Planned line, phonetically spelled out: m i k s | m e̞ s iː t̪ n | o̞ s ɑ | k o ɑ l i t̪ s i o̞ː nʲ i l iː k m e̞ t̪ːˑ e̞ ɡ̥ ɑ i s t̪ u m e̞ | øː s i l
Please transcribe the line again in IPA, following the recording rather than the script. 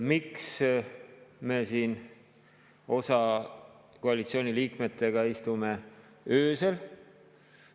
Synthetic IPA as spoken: m i k s | m e̞ s iː n | o̞ s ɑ | k o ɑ l i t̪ s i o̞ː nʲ i l iː k m e̞ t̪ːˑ e̞ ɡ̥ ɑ i s t̪ u m e̞ | øː s e l